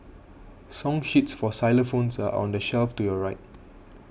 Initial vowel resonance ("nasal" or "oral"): nasal